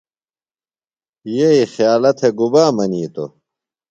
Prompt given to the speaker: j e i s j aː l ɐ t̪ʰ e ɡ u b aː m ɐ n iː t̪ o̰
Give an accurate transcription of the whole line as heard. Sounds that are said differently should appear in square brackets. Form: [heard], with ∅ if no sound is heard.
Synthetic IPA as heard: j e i [x] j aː l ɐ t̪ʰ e ɡ u b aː m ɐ n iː t̪ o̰